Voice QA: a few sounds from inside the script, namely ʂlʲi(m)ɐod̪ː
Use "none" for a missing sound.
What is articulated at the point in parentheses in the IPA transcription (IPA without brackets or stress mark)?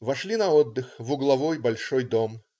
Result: n